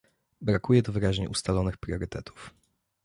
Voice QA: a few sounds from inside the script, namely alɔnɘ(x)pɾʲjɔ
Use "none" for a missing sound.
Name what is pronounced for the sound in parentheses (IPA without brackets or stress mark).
x